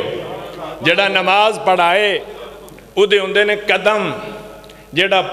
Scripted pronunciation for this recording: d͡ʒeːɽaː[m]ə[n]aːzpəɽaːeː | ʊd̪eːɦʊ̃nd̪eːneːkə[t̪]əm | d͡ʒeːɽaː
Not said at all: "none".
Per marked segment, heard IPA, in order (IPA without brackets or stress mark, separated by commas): n, m, d̪